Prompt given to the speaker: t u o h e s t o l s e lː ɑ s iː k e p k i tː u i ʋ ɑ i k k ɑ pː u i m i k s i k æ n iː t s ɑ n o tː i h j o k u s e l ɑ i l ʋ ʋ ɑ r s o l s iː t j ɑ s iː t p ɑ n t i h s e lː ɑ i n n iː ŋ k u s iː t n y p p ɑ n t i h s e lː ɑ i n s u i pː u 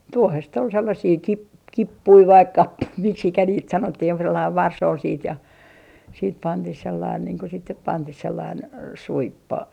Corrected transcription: t u o h e s t o l s e lː ɑ s iː k i p k i pː u i ʋ ɑ i k k ɑ pː u i m i k s i k æ n iː t s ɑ n o tː i h j o k u s e lː ɑ i ʋ ʋ ɑ r s o l s iː t j ɑ s iː t p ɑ n t i h s e lː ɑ i n n iː ŋ k o s i t n y p p ɑ n t i h s e lː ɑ i n s u i pː o